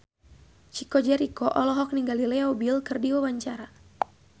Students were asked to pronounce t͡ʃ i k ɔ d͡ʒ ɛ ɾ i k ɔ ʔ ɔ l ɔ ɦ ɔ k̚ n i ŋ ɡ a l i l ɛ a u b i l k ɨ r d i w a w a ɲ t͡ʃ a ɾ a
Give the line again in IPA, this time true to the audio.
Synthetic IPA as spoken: t͡ʃ i k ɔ d͡ʒ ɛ ɾ i k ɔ ʔ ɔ l ɔ ɦ ɔ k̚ n i ŋ ɡ a l i l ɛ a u b i l k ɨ r d i w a w a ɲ t͡ʃ a ɾ a